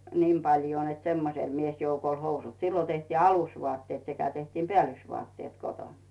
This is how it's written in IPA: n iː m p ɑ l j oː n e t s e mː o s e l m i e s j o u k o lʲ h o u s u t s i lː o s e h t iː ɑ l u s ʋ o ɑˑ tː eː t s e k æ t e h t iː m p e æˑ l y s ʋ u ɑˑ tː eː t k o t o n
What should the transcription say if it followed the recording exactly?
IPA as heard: n iː m p ɑ l j oː n e t s e mː o s e l m i e s j o u k o lʲ h o u s u t s i lː o t e h t iː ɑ l u s ʋ o ɑˑ tː eː t s e k æ t e h t iː m p e æˑ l y s ʋ u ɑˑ tː eː t k o t o n

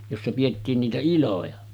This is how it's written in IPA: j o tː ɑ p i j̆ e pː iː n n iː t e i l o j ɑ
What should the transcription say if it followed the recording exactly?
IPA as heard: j o sː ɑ p i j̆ e tː iː n n iː t æ i l o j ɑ

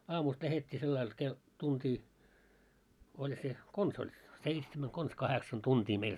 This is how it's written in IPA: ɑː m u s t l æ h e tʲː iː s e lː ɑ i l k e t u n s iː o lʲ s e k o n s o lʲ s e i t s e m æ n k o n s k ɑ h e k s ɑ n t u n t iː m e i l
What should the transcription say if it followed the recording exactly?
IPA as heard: ɑː m u s t l æ h e tʲː iː s e lː ɑ i l k e t u n t iː o lʲ s e k o n s o lʲ s e i t s e m æ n k o n s k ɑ h e k s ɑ n t u n t iː m e i l

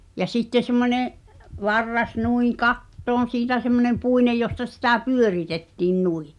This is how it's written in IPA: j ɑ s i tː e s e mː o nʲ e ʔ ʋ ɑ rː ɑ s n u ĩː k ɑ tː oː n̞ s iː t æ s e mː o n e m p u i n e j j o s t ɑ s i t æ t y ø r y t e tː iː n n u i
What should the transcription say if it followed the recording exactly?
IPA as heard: j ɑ s i tː e s e mː o nʲ e ʔ ʋ ɑ rː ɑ s n u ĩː k ɑ tː oː n̞ s iː t æ s e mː o n e m p u i n e j j o s t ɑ s i t æ p y ø r i t e tː iː n n u i

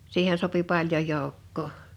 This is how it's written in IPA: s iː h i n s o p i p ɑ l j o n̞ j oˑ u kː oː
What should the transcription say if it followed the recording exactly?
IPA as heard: s iː h e n s o p i p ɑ l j o n̞ j oˑ u kː oː

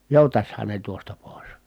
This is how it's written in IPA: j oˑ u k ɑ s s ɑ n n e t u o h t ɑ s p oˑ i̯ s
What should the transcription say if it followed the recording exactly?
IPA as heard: j oˑ u t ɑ s h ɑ n n e t u o s t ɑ p oˑ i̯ s

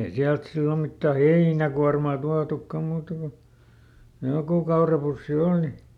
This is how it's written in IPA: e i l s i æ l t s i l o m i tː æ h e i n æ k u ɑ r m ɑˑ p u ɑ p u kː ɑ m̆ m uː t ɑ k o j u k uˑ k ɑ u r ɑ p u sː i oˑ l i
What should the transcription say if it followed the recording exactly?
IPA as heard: e i s i æ l t s i lː o m i tː æ h e i n æ k u ɑ r m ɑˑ t u ɑ t u kː ɑ m̆ m uː t ɑ k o j o k uˑ k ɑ u r ɑ p u sː i oˑ l i

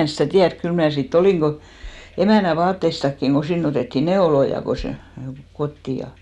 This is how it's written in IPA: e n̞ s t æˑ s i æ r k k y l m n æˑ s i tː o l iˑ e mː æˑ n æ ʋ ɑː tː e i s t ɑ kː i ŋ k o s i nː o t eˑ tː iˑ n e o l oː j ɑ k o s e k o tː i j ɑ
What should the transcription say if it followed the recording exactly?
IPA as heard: e n̞ s t æˑ t i æ r k k y l m n æˑ s i tː o l iˑ e m æˑ n æ ʋ ɑː tː e i s t ɑ kː i ŋ k o s i nː o t eˑ tː iˑ n e o l o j ɑ k o s e k o tː i j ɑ

